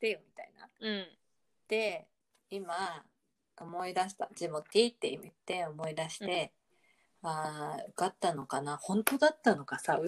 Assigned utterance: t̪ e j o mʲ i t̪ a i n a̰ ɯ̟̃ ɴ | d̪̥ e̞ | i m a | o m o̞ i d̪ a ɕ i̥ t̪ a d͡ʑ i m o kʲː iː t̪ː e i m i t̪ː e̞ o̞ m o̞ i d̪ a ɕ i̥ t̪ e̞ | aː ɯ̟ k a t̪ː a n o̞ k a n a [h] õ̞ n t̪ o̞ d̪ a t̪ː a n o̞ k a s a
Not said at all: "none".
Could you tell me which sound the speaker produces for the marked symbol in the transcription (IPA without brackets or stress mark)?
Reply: h